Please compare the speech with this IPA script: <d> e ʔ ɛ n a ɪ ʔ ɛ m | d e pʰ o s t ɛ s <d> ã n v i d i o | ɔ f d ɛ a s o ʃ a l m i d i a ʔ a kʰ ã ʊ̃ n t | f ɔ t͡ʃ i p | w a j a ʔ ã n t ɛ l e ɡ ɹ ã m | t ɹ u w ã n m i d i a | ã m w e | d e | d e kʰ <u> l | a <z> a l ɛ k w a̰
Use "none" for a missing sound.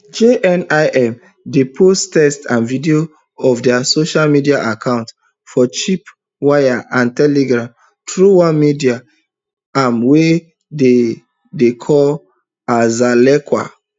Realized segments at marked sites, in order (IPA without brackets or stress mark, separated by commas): d͡ʒ, t, ɔ, z